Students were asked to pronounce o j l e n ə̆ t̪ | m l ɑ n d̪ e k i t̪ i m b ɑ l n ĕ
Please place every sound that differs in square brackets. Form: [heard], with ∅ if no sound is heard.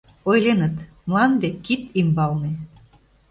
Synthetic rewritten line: o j l e n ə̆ t̪ | m l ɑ n d̪ e k i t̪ i m b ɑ l n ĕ